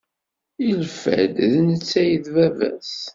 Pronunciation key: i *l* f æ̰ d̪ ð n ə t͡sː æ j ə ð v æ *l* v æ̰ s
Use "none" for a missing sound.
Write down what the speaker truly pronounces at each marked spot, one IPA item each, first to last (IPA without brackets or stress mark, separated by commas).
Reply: l, none